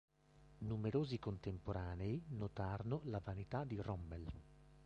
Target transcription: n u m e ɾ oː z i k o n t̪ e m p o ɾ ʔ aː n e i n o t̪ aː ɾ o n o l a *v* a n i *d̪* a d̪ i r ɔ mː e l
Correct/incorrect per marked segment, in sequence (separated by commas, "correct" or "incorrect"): correct, incorrect